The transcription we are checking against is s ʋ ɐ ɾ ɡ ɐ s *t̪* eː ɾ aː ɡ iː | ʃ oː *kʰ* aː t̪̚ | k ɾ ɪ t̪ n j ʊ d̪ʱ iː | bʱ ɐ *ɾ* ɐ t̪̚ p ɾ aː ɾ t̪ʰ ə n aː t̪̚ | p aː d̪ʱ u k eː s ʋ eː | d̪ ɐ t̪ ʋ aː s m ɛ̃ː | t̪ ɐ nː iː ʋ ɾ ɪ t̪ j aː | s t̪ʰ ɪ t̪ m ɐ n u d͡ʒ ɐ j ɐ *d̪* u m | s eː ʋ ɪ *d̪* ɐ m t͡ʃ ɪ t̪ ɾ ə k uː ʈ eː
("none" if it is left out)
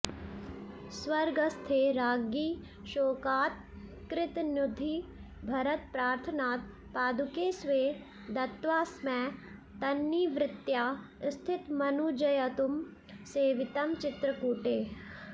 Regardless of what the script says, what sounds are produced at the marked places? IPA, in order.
t̪ʰ, k, ɾ, t̪, t̪

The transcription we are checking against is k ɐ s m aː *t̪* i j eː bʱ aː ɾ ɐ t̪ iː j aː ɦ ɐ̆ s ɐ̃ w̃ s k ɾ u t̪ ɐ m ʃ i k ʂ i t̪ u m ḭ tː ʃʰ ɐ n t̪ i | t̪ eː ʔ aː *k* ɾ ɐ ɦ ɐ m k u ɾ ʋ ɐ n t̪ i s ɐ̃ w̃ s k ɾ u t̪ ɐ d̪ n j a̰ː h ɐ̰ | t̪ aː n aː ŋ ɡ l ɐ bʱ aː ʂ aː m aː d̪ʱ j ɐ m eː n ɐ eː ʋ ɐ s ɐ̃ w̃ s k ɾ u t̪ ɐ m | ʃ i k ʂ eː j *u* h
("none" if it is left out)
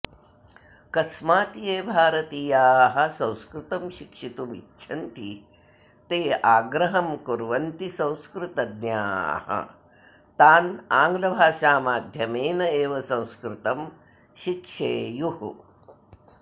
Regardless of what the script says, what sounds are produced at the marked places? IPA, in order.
t̪, ɡ, u

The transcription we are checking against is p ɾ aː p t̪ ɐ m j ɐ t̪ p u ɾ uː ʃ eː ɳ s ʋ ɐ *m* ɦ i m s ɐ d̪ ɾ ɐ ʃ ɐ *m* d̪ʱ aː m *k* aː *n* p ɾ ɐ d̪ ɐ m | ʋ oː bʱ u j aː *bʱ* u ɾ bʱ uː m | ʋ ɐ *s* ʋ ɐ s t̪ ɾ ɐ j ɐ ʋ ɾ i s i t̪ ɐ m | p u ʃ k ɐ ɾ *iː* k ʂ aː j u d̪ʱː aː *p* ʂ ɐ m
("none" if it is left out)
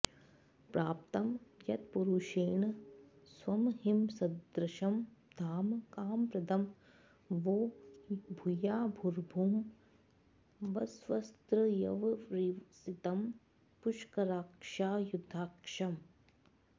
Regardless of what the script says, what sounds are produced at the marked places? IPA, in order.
m, m, k, m, bʱ, s, aː, k

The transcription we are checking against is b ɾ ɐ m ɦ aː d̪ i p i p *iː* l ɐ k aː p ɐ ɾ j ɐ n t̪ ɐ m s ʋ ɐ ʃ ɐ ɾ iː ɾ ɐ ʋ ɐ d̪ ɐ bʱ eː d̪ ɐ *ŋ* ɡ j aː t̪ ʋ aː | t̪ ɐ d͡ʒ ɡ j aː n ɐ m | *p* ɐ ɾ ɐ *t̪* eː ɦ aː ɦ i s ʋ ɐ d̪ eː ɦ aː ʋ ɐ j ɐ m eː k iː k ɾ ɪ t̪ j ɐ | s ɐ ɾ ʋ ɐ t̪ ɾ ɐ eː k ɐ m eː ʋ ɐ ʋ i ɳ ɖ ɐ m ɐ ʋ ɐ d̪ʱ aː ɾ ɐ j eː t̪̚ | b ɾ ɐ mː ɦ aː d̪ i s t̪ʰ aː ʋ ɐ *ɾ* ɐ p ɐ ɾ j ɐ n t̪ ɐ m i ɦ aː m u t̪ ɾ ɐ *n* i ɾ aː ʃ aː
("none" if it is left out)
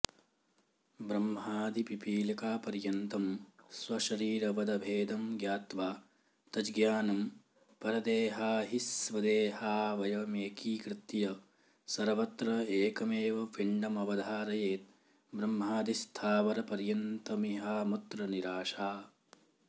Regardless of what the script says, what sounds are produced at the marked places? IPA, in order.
iː, m, p, d̪, ɾ, n

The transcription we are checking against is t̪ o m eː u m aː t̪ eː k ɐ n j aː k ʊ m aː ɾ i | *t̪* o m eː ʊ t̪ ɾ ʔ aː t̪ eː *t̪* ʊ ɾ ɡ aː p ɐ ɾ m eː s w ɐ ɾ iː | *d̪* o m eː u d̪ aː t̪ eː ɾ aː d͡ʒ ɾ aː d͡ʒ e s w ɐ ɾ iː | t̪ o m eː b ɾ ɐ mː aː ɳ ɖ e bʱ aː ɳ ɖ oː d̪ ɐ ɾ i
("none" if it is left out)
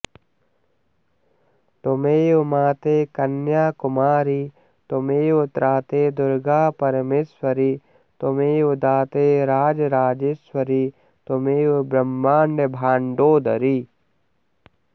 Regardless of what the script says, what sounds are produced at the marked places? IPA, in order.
t̪, d̪, t̪

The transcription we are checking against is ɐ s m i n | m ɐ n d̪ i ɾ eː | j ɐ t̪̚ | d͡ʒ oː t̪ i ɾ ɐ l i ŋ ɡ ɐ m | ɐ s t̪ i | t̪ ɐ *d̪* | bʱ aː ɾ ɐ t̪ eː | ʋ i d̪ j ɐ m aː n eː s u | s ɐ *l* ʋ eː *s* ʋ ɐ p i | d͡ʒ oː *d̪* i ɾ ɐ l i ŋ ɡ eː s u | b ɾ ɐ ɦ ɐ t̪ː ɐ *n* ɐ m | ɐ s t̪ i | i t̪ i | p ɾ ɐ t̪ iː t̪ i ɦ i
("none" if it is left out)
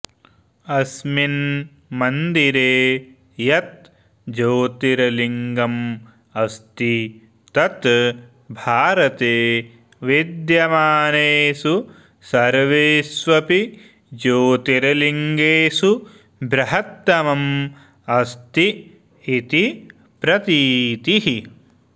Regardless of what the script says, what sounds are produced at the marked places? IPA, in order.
t̪, ɾ, s, t̪, m

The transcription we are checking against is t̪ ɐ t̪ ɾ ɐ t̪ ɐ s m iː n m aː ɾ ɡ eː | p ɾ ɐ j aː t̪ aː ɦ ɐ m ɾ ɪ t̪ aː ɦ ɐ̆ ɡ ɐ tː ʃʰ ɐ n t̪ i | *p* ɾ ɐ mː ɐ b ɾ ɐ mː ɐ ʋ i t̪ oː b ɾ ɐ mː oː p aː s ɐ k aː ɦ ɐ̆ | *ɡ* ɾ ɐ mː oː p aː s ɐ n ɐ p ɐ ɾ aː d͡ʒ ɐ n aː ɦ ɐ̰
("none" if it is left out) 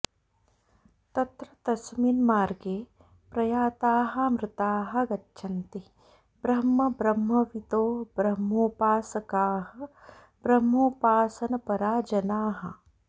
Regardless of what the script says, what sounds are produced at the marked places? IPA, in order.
b, b

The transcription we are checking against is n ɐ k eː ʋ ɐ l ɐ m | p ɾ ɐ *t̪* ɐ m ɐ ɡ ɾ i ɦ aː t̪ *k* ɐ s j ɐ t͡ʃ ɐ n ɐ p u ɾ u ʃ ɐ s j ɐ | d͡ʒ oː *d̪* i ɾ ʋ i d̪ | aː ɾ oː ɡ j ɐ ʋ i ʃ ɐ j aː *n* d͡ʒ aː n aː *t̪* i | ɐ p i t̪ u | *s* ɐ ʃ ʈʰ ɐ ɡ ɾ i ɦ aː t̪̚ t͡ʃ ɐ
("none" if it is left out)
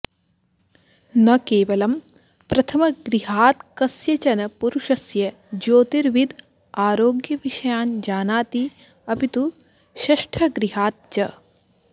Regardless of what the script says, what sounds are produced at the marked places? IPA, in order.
t̪ʰ, k, t̪, n, t̪, ʃ

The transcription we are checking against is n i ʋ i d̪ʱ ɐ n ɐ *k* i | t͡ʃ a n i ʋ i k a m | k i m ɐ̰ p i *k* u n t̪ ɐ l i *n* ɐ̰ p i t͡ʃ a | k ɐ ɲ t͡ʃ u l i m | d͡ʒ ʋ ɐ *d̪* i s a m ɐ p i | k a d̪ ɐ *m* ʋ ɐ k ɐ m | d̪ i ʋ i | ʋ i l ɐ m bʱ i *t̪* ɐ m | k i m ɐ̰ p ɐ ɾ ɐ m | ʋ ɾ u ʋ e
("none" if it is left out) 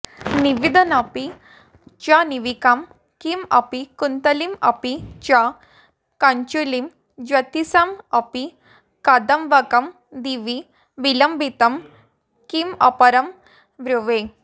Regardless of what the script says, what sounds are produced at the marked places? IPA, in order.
p, k, m, t̪, m, t̪

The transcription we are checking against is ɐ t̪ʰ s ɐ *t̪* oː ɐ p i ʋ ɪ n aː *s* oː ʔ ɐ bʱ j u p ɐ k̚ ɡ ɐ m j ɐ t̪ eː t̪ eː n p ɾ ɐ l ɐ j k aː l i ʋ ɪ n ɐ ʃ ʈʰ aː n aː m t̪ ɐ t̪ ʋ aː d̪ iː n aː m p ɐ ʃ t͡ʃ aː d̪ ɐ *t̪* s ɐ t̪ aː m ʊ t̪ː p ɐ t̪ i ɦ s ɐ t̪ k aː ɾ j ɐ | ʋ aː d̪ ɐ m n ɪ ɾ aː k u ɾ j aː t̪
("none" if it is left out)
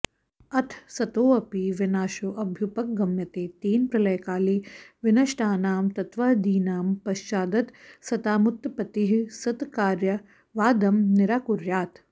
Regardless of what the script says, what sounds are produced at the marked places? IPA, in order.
t̪, ʃ, t̪

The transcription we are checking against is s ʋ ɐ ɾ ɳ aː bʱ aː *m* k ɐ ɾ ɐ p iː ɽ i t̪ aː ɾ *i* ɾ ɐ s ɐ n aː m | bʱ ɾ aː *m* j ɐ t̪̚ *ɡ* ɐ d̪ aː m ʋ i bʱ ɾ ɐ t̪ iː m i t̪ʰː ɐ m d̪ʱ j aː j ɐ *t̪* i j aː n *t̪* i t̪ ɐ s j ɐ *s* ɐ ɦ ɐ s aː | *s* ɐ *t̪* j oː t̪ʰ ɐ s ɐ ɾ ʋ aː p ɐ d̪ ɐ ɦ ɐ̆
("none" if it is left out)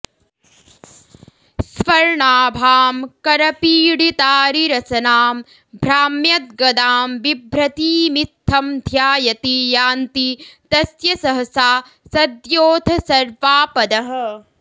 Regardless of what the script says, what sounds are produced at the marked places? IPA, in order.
m, i, m, ɡ, t̪, t̪, s, s, d̪

